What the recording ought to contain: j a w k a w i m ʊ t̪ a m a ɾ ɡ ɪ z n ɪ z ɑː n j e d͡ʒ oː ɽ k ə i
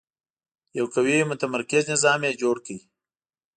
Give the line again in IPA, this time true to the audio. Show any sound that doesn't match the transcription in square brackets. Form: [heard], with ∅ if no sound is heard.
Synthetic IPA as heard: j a w k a w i m ʊ t̪ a m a ɾ [k] ɪ z n ɪ z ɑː [m] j e d͡ʒ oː ɽ k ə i